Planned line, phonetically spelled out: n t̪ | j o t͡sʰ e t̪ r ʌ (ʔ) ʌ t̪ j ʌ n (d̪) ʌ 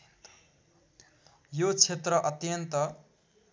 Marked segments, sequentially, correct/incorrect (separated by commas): correct, incorrect